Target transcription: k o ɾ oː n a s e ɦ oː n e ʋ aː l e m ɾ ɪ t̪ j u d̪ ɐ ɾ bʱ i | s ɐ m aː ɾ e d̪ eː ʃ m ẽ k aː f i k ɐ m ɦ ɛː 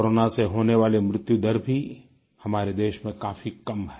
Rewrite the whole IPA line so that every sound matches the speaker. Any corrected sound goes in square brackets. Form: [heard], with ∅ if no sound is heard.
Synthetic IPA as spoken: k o ɾ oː n a s e ɦ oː n e ʋ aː l e m ɾ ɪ t̪ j u d̪ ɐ ɾ bʱ i | [h] ɐ m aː ɾ e d̪ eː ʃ m ẽ k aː f i k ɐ m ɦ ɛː